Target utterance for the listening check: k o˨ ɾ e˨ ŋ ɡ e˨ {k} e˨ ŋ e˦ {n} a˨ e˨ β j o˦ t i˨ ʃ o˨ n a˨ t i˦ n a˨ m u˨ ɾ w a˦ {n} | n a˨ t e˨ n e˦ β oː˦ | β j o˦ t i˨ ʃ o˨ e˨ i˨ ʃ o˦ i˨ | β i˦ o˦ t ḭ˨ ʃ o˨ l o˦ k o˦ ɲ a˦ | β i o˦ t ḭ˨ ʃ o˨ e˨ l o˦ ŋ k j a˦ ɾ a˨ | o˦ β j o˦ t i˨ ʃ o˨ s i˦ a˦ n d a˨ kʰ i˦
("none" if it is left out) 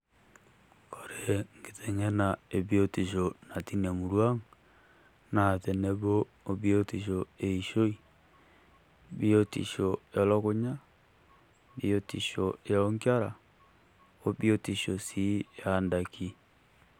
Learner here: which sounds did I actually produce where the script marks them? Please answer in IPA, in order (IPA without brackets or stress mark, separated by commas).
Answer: t, n, ŋ